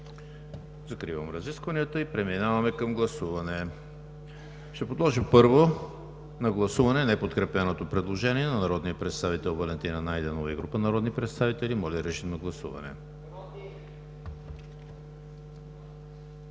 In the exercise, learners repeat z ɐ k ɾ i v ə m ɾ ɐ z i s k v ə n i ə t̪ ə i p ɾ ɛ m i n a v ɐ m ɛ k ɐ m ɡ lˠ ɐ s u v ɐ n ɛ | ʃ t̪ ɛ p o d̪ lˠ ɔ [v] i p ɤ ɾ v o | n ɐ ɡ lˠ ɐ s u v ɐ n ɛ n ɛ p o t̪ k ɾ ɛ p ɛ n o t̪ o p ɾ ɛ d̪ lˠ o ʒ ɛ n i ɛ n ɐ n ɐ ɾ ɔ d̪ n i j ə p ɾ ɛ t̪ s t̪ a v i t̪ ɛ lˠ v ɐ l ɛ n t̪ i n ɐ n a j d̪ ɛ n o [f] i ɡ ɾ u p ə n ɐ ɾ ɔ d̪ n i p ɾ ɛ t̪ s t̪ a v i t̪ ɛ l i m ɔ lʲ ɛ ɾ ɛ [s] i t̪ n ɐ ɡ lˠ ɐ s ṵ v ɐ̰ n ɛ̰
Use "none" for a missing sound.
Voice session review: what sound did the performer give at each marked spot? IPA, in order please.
ʒ, v, ʃ

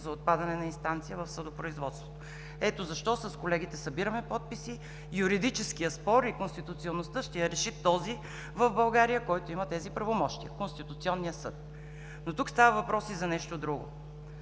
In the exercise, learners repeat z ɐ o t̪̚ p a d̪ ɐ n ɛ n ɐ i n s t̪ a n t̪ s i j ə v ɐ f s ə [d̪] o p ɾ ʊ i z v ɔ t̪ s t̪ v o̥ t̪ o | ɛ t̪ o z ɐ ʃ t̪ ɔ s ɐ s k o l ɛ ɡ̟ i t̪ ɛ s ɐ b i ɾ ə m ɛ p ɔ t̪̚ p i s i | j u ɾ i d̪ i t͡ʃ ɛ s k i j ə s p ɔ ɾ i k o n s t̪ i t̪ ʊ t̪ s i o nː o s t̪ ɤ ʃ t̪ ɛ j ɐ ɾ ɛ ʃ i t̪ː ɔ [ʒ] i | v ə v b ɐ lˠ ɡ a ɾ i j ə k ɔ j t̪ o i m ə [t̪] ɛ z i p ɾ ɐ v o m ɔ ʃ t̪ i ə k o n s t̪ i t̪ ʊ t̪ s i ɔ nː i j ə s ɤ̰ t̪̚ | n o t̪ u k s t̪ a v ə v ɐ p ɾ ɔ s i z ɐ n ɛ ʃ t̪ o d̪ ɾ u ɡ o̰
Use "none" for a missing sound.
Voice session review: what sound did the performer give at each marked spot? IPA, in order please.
d̪, z, t̪

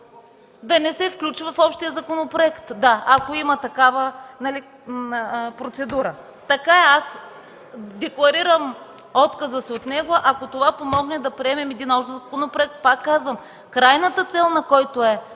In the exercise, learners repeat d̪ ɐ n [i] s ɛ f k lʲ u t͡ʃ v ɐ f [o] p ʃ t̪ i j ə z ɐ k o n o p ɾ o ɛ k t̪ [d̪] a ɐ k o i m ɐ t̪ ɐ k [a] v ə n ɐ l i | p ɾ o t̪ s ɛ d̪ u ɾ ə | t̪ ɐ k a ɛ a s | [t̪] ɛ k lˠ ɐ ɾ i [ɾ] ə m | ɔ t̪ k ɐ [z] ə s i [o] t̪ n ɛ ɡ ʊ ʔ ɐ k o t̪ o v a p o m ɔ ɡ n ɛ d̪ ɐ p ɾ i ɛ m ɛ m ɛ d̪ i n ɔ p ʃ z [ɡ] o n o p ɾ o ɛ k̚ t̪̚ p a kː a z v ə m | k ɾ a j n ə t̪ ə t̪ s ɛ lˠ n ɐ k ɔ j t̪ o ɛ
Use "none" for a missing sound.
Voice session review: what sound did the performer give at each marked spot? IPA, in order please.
ɛ, ɔ, d̪, a, d̪, ɾ, z, o, k

